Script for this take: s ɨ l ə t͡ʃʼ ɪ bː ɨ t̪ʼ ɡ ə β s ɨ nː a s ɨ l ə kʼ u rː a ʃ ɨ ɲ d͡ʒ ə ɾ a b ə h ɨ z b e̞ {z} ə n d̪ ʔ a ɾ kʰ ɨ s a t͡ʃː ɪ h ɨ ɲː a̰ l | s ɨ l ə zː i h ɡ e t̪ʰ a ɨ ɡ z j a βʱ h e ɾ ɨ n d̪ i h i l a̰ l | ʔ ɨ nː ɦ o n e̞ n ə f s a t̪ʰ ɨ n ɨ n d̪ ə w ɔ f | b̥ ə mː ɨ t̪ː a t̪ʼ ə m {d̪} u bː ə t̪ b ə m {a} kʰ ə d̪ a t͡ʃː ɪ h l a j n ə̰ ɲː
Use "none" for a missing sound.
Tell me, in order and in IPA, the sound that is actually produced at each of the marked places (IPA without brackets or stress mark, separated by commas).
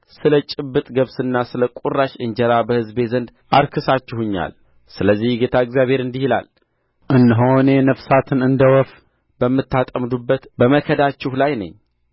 z, d̪, ə